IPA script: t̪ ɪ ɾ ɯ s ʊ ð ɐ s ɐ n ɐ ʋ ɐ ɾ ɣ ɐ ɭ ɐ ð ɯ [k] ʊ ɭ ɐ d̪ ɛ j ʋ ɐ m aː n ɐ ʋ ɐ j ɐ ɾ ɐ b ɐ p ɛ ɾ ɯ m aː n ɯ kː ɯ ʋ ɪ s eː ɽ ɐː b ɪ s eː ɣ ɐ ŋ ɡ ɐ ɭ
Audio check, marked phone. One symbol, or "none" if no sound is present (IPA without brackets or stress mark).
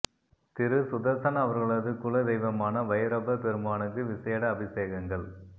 k